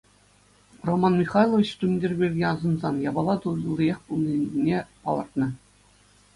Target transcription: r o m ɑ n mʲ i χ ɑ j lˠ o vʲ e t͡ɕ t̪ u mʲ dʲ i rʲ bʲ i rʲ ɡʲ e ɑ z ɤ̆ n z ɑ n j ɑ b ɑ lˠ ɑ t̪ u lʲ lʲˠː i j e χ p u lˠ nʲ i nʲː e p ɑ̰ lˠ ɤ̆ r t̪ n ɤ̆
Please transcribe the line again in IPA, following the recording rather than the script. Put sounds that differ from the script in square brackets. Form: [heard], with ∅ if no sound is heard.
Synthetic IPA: r o m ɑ n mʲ i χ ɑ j lˠ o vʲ [i] t͡ɕ t̪ u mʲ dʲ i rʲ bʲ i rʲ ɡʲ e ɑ z ɤ̆ n z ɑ n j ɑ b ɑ lˠ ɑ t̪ u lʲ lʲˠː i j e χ p u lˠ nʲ i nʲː e p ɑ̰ lˠ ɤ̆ r t̪ n ɤ̆